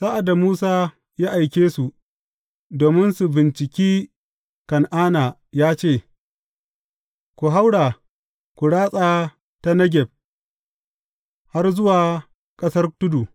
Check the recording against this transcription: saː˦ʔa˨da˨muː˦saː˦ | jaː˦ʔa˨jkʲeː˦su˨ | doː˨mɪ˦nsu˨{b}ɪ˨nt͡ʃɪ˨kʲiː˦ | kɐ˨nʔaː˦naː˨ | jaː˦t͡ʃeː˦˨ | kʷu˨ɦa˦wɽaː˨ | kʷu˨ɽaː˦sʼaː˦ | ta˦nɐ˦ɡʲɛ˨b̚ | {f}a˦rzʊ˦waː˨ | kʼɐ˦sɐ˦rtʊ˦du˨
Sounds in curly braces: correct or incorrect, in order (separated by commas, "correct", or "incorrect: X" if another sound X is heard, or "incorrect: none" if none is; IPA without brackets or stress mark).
correct, incorrect: h